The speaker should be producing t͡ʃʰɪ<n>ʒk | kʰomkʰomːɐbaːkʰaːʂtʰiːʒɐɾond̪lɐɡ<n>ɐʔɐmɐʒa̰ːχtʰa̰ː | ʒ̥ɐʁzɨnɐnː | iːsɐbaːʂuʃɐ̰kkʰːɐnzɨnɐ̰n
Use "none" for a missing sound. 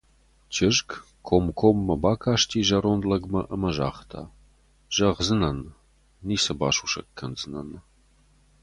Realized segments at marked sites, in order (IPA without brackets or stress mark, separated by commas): none, m